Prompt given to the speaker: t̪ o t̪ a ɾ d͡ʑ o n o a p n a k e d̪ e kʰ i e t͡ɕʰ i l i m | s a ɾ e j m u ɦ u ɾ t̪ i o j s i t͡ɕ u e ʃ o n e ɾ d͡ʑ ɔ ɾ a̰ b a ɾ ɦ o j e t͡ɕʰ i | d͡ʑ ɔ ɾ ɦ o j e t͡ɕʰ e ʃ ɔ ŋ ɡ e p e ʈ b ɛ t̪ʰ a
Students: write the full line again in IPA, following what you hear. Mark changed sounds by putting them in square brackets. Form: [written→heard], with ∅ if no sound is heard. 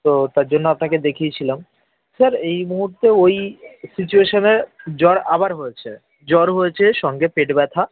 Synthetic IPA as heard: t̪ o t̪ a ɾ d͡ʑ o [n→nː] o a p n a k e d̪ e kʰ i e t͡ɕʰ i l [i→a] m | s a ɾ e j m u ɦ u ɾ t̪ [i→e] o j s i t͡ɕ u e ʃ o n e ɾ d͡ʑ ɔ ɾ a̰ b a ɾ ɦ o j e t͡ɕʰ [i→e] | d͡ʑ ɔ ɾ ɦ o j e t͡ɕʰ e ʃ ɔ ŋ ɡ e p e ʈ b ɛ t̪ʰ a